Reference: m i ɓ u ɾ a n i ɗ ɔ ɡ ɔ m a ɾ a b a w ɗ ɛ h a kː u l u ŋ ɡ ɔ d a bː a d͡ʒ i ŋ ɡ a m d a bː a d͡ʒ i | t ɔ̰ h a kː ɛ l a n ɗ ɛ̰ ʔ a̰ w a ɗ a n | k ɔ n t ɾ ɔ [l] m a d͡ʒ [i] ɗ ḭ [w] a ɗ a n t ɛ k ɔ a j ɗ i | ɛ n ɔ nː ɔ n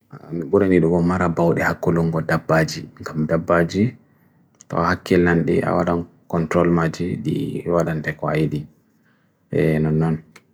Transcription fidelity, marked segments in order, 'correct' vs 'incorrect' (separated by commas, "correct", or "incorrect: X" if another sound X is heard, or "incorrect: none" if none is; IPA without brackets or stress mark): correct, correct, correct